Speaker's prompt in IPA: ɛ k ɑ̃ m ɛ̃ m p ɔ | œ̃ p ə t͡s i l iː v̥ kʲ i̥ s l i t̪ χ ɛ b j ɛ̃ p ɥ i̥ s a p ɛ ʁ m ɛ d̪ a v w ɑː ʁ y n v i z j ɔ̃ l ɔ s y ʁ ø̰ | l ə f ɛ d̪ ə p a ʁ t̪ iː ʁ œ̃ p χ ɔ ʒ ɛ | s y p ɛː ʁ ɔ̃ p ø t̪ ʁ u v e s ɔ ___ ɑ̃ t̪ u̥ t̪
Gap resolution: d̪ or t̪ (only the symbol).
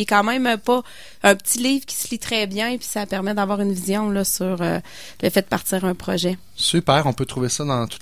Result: d̪